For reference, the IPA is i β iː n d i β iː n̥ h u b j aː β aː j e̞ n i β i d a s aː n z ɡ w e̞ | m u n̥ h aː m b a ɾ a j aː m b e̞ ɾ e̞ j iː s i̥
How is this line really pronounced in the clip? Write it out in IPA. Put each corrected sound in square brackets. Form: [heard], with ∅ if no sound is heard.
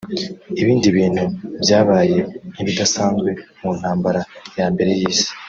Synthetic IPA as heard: i β iː n d i β iː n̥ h u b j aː β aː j e̞ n i β i d a s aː n z ɡ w e̞ | m u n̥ h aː m b a ɾ a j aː m b e̞ ɾ e̞ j iː s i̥